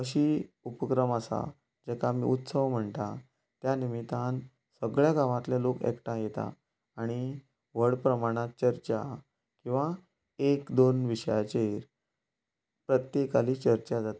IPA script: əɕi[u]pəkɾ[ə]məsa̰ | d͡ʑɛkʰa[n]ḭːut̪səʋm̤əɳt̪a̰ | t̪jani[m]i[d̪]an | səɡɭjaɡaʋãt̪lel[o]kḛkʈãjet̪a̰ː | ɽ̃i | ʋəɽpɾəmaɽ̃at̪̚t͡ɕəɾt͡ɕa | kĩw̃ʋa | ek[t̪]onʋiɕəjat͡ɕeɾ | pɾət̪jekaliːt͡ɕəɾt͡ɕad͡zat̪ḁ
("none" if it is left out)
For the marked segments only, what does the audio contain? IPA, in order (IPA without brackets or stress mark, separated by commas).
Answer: u, ə, m, m, t̪, o, d̪